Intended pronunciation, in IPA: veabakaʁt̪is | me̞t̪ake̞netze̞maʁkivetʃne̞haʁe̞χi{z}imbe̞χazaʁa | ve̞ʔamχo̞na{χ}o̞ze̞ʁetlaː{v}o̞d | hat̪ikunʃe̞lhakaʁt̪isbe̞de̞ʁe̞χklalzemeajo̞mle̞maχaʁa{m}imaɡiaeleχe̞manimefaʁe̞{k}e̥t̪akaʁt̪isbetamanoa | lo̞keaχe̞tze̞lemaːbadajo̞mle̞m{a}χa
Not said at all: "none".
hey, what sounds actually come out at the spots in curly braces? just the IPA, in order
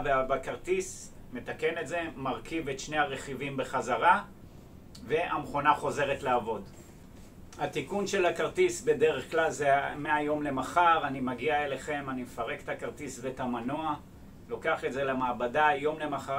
v, χ, v, n, k, a

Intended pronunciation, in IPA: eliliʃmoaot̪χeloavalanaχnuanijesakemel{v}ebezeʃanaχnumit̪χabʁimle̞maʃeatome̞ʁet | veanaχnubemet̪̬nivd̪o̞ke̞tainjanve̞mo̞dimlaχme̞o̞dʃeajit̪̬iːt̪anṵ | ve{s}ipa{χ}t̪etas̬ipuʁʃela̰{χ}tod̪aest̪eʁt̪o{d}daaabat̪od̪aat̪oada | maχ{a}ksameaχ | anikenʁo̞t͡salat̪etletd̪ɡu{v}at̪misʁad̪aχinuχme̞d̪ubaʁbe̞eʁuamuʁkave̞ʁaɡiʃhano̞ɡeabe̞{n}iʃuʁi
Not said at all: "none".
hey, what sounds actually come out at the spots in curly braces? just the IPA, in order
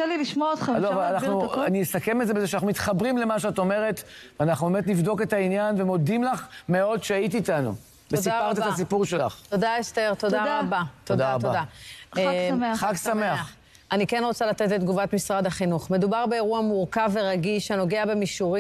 z, s, ʁ, χ, d, a, v, m

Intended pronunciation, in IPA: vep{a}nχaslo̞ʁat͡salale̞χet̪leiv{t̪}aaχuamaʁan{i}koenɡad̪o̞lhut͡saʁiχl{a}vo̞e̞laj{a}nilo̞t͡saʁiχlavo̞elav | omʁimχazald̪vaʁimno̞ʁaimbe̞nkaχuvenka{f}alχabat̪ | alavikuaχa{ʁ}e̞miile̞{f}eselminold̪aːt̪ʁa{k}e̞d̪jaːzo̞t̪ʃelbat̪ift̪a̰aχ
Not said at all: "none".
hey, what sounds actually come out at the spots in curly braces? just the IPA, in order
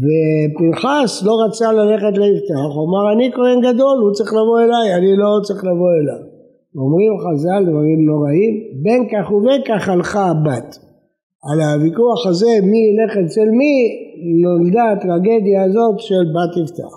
i, t̪, i, a, a, χ, z, χ, ɡ

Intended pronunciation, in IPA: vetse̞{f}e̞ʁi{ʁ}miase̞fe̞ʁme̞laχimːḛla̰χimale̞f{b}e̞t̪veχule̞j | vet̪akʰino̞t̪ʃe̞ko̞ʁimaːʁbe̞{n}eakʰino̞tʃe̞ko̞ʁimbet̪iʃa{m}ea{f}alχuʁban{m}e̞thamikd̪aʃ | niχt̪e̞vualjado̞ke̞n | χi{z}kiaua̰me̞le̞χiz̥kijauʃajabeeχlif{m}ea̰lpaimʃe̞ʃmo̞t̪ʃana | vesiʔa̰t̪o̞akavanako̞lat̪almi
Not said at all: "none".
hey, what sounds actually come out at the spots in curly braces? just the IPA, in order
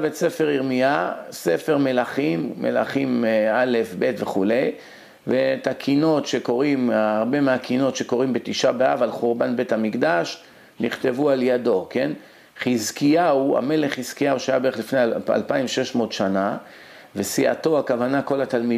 f, ʁ, b, m, b, v, b, z, n

